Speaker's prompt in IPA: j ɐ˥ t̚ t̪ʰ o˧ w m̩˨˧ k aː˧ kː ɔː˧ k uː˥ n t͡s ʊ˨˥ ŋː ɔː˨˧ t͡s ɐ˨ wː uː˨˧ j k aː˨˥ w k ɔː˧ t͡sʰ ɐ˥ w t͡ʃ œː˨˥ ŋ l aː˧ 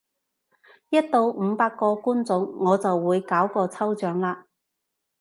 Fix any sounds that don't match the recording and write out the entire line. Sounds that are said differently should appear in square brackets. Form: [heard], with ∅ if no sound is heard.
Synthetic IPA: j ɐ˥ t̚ [t̪] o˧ w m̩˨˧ [p] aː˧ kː ɔː˧ k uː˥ n t͡s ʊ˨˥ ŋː ɔː˨˧ t͡s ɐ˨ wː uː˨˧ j k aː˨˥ w k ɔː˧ t͡sʰ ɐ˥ w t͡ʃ œː˨˥ ŋ l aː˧